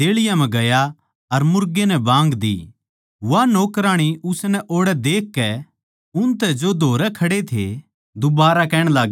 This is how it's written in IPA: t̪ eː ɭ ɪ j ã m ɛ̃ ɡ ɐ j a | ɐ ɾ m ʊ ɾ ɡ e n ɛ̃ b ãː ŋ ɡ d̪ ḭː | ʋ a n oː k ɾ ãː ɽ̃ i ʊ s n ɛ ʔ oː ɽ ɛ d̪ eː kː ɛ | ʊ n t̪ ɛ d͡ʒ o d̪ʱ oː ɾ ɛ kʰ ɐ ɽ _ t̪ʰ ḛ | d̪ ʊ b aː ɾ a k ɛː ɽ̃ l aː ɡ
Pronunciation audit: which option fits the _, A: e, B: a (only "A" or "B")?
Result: A